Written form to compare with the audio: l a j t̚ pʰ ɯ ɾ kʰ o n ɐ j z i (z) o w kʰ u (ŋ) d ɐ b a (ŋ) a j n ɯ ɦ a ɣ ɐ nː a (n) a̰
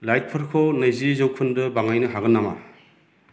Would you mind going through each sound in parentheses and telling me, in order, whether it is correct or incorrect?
correct, incorrect, correct, incorrect

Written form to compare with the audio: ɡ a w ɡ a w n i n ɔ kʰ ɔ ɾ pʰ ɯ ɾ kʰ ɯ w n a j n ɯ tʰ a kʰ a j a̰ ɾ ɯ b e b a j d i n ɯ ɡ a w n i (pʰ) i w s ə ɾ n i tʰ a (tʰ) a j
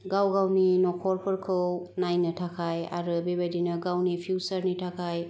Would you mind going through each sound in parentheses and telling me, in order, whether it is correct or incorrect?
correct, incorrect

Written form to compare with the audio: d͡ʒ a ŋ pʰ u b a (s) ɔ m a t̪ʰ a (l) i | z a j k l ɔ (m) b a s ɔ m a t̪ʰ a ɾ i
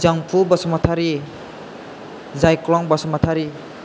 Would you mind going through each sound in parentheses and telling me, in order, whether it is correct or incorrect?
correct, incorrect, incorrect

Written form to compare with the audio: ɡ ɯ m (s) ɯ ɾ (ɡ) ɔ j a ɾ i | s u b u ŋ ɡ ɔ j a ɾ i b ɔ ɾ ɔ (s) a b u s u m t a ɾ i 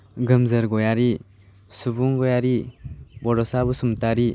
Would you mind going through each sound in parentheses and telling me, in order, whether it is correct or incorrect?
incorrect, correct, correct

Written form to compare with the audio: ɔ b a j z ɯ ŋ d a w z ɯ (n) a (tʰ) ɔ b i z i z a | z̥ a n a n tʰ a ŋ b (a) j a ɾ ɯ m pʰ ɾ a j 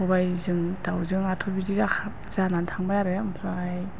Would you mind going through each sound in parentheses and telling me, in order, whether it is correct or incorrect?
incorrect, correct, correct

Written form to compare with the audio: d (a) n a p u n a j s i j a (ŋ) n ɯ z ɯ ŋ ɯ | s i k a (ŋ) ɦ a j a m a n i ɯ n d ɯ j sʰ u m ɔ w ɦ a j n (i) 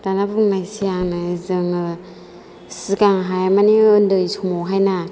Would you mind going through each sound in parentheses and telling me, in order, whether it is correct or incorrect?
correct, correct, correct, incorrect

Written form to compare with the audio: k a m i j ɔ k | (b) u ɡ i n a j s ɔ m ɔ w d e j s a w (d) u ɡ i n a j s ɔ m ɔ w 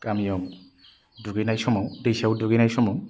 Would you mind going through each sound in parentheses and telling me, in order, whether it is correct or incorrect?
incorrect, correct

